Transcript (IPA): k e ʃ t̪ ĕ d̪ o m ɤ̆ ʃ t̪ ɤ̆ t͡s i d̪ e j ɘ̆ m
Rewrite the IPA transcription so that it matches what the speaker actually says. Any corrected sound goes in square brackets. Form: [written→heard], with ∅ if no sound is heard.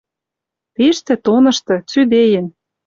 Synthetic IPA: [k→p] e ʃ t̪ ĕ [d̪→t̪] o [m→n] ɤ̆ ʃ t̪ ɤ̆ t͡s [i→y] d̪ e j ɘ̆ [m→n]